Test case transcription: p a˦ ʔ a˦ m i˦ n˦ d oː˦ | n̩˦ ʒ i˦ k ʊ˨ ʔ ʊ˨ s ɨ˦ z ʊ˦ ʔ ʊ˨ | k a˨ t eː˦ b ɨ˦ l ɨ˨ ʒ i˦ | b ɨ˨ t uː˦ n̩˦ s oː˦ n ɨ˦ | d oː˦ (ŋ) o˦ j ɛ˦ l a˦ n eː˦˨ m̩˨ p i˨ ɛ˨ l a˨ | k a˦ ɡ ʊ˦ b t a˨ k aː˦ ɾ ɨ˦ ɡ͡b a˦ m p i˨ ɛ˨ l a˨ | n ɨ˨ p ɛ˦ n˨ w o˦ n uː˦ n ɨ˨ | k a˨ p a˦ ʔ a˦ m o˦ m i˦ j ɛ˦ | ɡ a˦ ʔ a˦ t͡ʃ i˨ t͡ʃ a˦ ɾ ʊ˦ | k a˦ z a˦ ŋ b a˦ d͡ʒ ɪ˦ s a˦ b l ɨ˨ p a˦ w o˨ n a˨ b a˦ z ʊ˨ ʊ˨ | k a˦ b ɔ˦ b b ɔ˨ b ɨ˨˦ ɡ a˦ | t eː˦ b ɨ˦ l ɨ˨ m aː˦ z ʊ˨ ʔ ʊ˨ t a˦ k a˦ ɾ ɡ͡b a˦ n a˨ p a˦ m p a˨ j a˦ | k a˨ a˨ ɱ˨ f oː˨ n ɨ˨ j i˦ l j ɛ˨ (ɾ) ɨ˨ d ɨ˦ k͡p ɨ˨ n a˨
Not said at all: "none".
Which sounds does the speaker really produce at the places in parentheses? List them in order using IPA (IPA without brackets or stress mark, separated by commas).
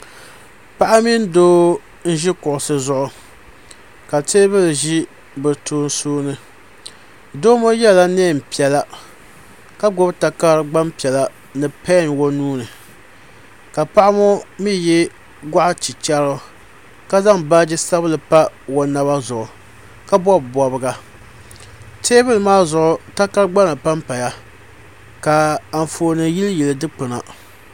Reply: m, l